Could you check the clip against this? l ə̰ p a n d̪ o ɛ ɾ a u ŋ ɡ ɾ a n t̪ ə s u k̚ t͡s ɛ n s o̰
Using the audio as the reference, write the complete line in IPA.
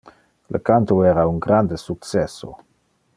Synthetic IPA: l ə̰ k a n t̪ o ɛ ɾ a u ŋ ɡ ɾ a n d̪ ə s u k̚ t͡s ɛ s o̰